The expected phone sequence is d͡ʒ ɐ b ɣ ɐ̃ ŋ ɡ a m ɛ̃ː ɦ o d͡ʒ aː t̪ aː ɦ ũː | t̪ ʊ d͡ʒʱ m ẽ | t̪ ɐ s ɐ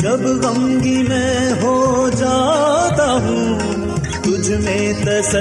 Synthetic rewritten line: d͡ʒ ɐ b ɣ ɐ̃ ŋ ɡ i m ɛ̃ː ɦ o d͡ʒ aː t̪ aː ɦ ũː | t̪ ʊ d͡ʒʱ m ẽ | t̪ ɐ s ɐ